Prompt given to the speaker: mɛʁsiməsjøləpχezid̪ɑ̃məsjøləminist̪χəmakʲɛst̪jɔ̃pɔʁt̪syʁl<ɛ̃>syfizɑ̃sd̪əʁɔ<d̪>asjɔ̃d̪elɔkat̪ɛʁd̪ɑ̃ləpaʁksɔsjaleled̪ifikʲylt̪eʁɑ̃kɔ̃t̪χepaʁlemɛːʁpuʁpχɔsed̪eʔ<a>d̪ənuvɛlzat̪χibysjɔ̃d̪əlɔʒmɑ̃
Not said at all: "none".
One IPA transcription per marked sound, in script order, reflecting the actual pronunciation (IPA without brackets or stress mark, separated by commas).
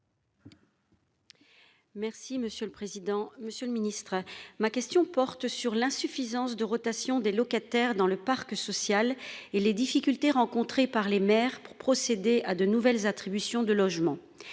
ɛ̃, t̪, a